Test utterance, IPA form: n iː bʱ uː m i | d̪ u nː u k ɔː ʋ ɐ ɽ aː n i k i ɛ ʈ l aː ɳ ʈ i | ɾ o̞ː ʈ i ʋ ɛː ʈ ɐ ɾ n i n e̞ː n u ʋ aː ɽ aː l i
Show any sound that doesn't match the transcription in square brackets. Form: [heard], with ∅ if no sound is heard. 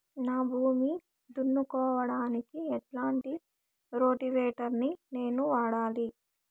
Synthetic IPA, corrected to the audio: n [aː] bʱ uː m i | d̪ u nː u k ɔː ʋ ɐ ɽ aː n i k i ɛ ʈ l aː ɳ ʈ i | ɾ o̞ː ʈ i ʋ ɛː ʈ ɐ ɾ n i n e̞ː n u ʋ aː ɽ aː l i